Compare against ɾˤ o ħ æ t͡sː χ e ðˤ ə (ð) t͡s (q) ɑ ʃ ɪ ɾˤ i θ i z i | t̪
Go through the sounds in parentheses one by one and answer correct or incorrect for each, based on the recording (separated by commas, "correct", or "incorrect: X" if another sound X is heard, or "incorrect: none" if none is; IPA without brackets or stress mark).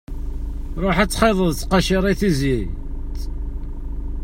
correct, correct